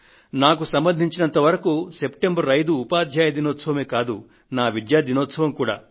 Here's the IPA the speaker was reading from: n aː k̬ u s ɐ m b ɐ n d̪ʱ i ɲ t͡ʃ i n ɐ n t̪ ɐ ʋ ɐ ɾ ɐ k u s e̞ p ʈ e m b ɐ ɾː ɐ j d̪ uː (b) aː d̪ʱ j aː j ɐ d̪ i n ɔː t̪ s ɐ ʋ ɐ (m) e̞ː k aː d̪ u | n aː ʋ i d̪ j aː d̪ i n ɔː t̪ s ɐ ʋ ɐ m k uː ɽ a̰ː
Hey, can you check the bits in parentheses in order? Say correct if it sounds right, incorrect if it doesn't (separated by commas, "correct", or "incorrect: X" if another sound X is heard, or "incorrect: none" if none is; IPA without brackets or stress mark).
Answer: incorrect: p, correct